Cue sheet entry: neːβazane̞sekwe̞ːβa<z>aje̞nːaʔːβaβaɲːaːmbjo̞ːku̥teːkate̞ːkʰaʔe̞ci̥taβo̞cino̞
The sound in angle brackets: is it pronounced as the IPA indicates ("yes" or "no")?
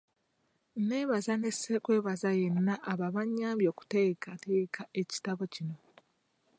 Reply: yes